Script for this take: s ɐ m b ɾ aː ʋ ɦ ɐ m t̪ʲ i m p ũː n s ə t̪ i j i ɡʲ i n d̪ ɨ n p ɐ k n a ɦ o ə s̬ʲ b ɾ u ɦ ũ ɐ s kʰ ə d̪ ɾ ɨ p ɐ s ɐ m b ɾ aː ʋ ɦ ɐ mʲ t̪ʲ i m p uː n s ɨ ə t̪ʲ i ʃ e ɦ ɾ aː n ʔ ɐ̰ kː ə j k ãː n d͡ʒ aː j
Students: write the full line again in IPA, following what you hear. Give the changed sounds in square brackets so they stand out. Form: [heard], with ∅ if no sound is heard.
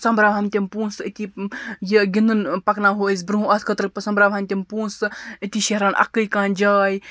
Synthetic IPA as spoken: s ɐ m b ɾ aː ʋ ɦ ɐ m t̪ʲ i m p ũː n s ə t̪ i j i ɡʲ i n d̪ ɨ n p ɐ k n a ɦ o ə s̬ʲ b ɾ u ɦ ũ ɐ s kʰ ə [t̪] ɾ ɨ p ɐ s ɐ m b ɾ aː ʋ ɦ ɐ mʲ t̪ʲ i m p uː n s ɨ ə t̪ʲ i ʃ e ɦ ɾ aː n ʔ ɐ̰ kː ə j k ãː n d͡ʒ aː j